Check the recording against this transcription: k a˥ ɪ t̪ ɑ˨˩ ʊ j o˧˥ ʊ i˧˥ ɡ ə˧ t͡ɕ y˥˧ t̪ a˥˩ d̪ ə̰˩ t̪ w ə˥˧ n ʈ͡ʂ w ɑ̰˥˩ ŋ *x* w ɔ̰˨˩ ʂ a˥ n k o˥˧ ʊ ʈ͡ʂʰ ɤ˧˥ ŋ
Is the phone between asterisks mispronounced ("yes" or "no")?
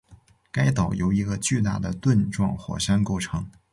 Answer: no